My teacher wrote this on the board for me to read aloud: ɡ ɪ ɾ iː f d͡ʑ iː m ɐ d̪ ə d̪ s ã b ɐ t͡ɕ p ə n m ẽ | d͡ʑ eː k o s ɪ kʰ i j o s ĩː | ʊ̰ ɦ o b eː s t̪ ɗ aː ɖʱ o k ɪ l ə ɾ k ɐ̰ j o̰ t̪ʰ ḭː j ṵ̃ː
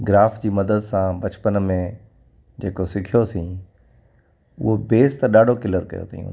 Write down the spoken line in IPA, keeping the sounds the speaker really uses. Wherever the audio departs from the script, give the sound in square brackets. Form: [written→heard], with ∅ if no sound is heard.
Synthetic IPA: ɡ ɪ ɾ [iː→aː] f d͡ʑ iː m ɐ d̪ ə d̪ s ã b ɐ t͡ɕ p ə n m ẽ | d͡ʑ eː k o s ɪ kʰ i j o s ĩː | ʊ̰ ɦ o b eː s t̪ ɗ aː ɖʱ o k ɪ l ə ɾ k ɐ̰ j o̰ t̪ʰ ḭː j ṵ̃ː